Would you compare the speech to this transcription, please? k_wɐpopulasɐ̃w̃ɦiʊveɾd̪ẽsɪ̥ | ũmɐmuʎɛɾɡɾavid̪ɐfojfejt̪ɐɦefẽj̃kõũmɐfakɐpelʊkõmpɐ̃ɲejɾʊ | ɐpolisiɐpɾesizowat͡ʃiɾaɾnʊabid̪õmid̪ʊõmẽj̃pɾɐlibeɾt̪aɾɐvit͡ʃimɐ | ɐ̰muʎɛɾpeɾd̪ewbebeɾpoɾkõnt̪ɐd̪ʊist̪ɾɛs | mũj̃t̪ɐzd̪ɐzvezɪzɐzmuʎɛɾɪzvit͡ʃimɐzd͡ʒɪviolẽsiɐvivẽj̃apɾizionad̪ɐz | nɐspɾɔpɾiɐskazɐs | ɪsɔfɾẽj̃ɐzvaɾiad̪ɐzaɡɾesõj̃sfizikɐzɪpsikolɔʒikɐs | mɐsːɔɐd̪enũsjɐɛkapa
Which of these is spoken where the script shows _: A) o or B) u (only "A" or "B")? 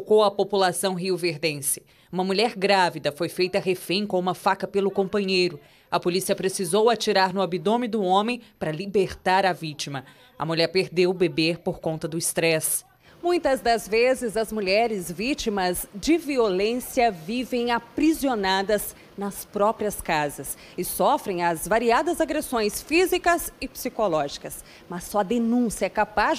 A